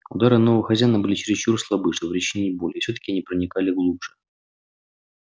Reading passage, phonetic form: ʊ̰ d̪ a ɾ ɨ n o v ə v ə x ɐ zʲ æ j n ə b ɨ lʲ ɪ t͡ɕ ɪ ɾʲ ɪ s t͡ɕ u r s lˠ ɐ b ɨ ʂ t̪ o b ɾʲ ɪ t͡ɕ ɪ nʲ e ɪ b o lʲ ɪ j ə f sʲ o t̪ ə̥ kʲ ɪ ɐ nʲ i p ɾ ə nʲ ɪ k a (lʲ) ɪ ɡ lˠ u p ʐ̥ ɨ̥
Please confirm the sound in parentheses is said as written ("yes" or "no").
yes